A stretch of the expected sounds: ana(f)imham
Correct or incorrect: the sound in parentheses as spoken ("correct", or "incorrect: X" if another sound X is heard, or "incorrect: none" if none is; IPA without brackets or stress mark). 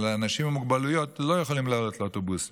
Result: incorrect: ʃ